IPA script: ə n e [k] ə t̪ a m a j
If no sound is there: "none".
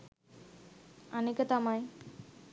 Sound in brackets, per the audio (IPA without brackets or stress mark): k